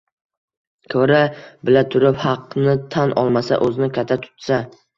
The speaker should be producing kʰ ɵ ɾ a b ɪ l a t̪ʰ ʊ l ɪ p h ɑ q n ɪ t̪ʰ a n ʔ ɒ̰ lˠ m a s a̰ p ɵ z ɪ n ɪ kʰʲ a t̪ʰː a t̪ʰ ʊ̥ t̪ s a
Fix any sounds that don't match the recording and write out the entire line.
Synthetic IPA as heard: kʰ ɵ ɾ a b ɪ l a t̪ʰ ʊ ɾ ɪ p h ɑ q n ɪ t̪ʰ a n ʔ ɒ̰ lˠ m a s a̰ ʔ ɵ z ɪ n ɪ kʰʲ a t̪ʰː a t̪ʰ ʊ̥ t̪ s a